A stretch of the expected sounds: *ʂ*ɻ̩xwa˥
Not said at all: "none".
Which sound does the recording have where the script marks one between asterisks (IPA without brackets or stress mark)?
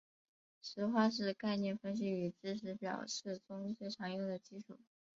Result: ʂ